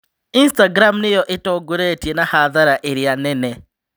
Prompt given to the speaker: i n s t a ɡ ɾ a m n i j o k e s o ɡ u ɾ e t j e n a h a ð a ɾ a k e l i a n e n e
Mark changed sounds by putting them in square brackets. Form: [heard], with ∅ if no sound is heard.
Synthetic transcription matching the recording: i n s t a ɡ ɾ a m n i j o [ʔ] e [t] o ɡ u ɾ e t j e n a h a ð a ɾ a [ʔ] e [ɾ] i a n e n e

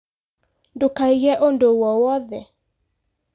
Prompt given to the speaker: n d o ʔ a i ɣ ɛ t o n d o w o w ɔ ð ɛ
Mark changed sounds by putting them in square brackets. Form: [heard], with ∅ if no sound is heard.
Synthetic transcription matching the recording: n d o [k] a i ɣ ɛ [ʔ] o n d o w [ɔ] w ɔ ð ɛ

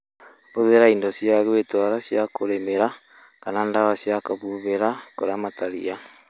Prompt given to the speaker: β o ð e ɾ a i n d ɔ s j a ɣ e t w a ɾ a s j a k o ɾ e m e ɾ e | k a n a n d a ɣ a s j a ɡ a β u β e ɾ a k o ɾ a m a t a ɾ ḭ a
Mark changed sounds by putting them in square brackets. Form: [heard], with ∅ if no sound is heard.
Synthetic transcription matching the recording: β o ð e ɾ a i n d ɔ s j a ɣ e t w a ɾ a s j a k o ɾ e m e ɾ [a] | k a n a n d a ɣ a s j a [k] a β u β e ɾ a k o ɾ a m a t a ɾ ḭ a

